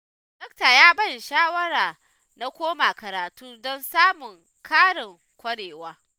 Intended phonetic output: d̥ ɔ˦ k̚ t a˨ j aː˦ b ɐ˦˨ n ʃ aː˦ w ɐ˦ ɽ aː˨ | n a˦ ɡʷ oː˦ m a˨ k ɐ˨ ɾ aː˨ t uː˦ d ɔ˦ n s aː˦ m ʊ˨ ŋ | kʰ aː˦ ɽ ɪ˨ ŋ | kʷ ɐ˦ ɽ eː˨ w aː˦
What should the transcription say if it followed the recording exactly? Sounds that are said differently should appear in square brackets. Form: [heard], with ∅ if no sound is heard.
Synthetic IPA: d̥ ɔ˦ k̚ t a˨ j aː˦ b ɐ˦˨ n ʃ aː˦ w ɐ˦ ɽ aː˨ | n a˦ [kʷ] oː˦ m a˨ k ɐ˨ ɾ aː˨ t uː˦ d ɔ˦ n s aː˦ m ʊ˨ ŋ | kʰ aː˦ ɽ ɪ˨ ŋ | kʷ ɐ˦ ɽ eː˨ w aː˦